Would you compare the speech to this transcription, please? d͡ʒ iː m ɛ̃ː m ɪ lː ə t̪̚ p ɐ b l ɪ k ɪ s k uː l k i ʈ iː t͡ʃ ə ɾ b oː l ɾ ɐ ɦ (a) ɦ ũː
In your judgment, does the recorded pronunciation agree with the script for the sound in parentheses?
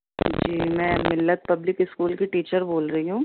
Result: no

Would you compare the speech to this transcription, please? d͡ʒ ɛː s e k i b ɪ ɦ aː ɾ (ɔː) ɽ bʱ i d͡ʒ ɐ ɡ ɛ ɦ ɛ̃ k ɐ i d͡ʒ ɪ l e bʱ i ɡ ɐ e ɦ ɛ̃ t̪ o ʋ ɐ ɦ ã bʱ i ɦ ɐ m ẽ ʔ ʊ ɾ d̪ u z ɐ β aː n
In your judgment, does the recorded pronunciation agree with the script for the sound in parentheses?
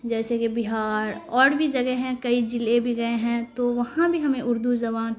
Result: yes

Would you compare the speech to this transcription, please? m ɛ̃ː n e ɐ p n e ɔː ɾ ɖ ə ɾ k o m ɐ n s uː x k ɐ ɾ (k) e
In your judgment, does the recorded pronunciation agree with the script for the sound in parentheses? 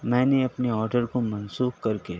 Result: yes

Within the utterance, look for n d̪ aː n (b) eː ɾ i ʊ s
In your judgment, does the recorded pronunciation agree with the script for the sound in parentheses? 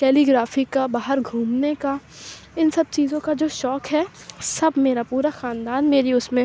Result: no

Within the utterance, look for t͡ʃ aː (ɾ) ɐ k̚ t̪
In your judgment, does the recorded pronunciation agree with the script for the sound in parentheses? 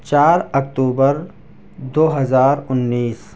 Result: yes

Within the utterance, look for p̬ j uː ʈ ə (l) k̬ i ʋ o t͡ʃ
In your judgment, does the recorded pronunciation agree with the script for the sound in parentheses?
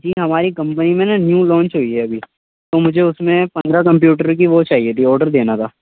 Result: no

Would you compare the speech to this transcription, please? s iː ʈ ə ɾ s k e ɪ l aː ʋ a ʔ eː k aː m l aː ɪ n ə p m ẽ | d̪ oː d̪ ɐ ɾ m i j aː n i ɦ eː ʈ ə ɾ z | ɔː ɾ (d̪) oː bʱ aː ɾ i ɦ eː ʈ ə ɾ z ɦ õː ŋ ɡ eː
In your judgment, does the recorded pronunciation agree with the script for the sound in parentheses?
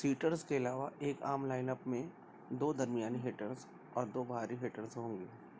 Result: yes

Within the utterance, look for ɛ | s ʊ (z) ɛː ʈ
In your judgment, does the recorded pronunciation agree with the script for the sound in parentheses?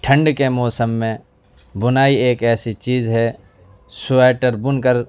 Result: no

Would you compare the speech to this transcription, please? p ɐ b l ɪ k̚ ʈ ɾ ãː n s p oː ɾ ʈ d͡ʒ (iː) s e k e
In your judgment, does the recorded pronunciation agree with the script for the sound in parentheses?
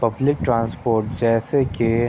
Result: no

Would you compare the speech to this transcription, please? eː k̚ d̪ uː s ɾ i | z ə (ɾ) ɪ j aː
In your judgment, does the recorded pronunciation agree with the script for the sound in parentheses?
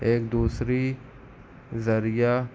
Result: yes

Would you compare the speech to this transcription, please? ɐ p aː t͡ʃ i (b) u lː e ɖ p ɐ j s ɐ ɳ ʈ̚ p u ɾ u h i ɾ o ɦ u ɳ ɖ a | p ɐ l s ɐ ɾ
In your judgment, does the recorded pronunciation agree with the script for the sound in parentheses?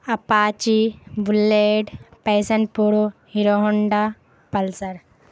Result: yes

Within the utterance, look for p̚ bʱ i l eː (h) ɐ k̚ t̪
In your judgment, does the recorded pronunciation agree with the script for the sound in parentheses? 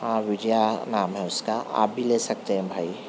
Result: no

